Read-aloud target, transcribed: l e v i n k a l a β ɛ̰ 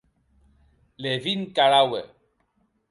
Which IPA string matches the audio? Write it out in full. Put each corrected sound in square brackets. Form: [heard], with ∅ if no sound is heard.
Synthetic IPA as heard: l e v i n k a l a [w] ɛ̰